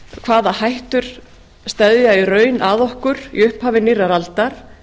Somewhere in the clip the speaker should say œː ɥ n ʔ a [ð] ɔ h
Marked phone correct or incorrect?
correct